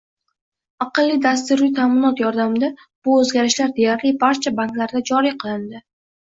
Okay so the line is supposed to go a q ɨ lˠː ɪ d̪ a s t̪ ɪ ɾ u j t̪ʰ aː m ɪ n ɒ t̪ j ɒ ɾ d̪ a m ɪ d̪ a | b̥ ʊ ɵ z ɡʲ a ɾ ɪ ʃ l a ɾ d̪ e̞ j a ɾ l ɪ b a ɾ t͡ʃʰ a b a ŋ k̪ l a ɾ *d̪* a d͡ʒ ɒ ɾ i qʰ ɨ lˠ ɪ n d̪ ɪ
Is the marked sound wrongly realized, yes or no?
no